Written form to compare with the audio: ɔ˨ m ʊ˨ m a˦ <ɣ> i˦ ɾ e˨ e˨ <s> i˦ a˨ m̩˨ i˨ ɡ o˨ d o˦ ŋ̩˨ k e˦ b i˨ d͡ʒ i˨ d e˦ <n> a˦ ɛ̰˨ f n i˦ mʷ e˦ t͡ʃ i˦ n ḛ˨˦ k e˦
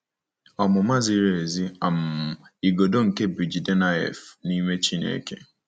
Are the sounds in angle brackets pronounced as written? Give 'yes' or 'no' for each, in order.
no, no, yes

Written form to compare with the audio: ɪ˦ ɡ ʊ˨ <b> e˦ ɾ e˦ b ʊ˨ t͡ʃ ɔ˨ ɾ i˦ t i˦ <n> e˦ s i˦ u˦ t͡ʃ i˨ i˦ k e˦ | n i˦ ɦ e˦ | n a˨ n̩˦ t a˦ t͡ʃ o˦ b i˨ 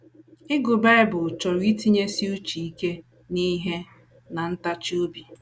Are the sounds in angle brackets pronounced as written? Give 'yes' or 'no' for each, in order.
yes, no

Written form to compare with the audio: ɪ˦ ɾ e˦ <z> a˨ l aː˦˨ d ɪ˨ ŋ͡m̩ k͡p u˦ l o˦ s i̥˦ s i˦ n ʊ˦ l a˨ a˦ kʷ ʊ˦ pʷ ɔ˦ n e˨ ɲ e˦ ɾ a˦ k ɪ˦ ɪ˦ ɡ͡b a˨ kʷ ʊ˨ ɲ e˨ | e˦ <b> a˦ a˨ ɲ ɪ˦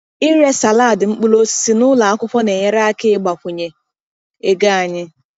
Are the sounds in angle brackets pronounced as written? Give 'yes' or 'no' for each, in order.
no, no

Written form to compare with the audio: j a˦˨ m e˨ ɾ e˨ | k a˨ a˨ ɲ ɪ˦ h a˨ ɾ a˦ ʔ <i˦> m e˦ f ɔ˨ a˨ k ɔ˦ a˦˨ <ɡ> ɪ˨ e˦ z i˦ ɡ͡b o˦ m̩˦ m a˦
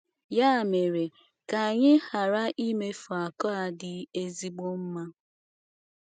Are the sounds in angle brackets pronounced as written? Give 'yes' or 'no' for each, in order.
yes, no

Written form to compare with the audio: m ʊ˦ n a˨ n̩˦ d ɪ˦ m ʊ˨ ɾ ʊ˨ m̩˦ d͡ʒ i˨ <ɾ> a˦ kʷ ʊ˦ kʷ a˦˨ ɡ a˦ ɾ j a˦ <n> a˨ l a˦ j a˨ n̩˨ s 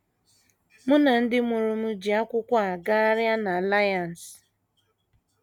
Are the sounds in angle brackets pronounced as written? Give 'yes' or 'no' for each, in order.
no, yes

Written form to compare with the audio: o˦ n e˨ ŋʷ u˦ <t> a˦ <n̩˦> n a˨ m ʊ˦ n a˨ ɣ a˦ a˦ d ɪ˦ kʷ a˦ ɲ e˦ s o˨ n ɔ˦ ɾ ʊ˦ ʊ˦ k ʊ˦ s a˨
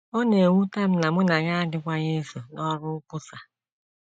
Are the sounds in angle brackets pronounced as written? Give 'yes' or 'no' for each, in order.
yes, no

